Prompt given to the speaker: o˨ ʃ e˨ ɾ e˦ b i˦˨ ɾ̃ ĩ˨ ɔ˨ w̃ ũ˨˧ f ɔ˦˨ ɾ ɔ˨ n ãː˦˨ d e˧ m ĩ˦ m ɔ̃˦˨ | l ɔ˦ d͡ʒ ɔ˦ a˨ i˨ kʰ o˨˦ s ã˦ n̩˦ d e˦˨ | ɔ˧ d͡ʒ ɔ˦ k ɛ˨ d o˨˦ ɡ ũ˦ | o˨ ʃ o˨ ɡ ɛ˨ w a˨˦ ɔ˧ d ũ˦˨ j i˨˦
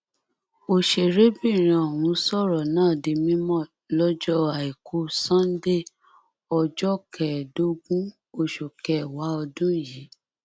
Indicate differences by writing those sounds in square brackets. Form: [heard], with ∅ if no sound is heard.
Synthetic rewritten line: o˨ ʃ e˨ ɾ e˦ b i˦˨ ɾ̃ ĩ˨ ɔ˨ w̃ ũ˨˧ [s] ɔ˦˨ ɾ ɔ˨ n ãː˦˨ d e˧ m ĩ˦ m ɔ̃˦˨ | l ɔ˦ d͡ʒ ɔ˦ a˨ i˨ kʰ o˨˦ s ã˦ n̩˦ d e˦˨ | ɔ˧ d͡ʒ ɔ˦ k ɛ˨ d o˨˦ ɡ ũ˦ | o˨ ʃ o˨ [k] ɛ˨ w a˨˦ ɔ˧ d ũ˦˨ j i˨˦